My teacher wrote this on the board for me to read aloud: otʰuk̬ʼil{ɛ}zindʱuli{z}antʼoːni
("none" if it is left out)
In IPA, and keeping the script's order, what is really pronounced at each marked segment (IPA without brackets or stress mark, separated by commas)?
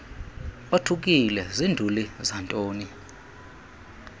ɛ, z